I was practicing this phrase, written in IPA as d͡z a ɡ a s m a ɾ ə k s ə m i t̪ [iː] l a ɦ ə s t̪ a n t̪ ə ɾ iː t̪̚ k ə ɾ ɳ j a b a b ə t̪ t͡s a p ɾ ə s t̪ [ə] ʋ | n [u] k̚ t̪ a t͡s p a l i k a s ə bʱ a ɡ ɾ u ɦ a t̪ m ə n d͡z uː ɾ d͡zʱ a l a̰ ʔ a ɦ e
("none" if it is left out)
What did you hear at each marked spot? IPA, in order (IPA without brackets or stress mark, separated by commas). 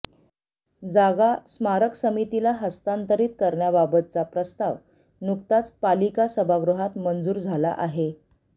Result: i, a, u